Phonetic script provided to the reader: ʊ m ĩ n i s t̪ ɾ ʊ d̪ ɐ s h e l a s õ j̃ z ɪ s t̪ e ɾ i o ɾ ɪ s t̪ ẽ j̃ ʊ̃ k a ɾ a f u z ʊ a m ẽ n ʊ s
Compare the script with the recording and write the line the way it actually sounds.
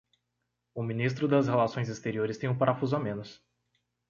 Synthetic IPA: ʊ m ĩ n i s t̪ ɾ ʊ d̪ ɐ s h e l a s õ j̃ z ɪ s t̪ e ɾ i o ɾ ɪ s t̪ ẽ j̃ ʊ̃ p a ɾ a f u z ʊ a m ẽ n ʊ s